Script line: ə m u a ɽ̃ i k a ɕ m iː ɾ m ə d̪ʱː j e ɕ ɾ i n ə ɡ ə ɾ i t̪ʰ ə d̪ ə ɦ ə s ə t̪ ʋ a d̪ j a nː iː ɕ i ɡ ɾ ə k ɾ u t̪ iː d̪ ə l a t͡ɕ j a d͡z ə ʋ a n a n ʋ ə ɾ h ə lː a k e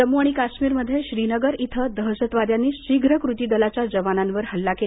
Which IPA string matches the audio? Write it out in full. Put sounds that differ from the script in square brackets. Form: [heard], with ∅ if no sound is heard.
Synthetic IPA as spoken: ə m u a ɽ̃ i k a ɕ m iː ɾ m ə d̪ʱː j e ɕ ɾ i n ə ɡ ə ɾ i t̪ʰ ə d̪ ə ɦ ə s ə t̪ ʋ a d̪ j a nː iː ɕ i ɡ ɾ ə k ɾ u t̪ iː d̪ ə l a t͡ɕ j a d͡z ə ʋ a n a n ʋ ə ɾ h ə lː a k e

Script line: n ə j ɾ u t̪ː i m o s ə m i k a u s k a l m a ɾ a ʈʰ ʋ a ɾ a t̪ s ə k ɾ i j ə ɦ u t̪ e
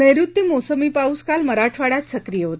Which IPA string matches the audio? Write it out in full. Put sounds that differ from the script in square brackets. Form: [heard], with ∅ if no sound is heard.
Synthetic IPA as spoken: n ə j ɾ u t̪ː i m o s ə m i [p] a u s k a l m [ə] ɾ a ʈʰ ʋ a [ɽ] a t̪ s ə k ɾ i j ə ɦ [o] t̪ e

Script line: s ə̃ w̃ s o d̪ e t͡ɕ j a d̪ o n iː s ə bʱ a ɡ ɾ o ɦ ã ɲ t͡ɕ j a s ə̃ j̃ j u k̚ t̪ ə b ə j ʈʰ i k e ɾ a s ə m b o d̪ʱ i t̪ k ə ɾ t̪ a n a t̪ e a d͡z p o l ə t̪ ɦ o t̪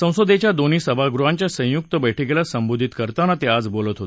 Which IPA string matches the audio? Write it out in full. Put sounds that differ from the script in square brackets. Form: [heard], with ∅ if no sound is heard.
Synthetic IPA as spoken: s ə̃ w̃ s o d̪ e t͡ɕ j a d̪ o n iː s ə bʱ a ɡ ɾ [u] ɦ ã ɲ t͡ɕ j a s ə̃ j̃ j u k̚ t̪ ə b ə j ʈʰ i k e [l] a s ə m b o d̪ʱ i t̪ k ə ɾ t̪ a n a t̪ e a d͡z [b] o l ə t̪ ɦ o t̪

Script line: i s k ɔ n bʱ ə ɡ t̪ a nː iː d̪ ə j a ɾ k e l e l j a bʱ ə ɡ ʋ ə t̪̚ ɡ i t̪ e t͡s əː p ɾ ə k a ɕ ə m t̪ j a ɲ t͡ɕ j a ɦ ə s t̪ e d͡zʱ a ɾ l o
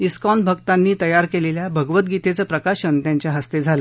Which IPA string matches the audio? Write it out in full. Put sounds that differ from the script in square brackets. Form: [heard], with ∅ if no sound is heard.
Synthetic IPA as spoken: i s k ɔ n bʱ ə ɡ t̪ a nː iː [t̪] ə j a ɾ k e l e l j a bʱ ə ɡ ʋ ə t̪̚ ɡ i t̪ e t͡s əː p ɾ ə k a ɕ ə [n] t̪ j a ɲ t͡ɕ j a ɦ ə s t̪ e d͡zʱ a [∅] l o

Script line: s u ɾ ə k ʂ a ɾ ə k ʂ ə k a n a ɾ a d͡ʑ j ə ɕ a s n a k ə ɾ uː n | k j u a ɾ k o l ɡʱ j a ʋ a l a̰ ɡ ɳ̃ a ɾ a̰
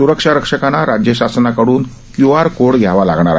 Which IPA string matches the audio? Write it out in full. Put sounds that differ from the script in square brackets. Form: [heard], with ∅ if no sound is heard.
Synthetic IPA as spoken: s u ɾ ə k ʂ a ɾ ə k ʂ ə k a n a ɾ a d͡ʑ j ə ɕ a s n a k ə [ɽ] uː n | k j u a ɾ k o [ɽ] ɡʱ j a ʋ a l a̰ ɡ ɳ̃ a ɾ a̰

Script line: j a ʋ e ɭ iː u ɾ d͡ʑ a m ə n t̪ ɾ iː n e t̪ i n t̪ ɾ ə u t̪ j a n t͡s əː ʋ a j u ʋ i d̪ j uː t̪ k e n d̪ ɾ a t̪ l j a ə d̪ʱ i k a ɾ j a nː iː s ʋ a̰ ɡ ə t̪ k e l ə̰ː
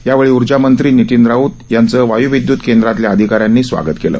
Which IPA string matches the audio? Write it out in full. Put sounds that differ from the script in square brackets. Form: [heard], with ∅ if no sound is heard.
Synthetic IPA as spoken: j a ʋ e ɭ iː u ɾ d͡ʑ a m ə n t̪ ɾ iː n [i] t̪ i n [d̪] ɾ [a] u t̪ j a n t͡s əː ʋ a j u ʋ i d̪ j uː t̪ k e n d̪ ɾ a t̪ l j a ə d̪ʱ i k a ɾ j a nː iː s ʋ a̰ ɡ ə t̪ k e l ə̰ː

